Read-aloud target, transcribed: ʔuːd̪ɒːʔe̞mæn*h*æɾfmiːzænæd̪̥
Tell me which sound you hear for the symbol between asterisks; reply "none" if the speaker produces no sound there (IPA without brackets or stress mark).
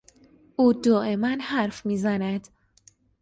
h